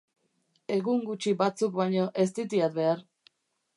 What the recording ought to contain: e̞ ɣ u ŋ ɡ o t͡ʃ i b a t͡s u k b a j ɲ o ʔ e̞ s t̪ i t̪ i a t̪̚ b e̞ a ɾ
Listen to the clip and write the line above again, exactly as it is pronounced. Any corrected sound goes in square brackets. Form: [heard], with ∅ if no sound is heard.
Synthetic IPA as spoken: e̞ ɣ u ŋ ɡ [u] t͡ʃ i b a t͡s u k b a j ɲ o ʔ e̞ s t̪ i t̪ i a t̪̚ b e̞ a ɾ